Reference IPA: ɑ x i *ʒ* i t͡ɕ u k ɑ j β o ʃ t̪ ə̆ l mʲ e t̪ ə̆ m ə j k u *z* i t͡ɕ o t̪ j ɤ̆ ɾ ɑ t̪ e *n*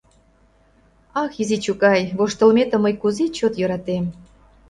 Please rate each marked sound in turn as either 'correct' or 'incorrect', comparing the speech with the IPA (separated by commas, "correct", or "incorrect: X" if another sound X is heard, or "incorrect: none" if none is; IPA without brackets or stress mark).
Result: incorrect: z, correct, incorrect: m